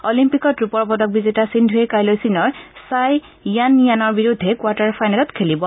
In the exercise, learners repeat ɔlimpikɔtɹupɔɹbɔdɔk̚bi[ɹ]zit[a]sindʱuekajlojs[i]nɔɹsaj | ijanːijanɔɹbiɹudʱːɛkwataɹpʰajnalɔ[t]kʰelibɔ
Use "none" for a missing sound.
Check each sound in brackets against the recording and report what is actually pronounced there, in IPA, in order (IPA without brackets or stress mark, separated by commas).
none, a, i, t